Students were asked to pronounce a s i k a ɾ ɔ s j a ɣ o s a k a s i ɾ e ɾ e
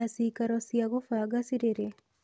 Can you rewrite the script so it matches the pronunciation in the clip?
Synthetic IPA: a s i k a ɾ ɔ s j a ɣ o f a ɡ a s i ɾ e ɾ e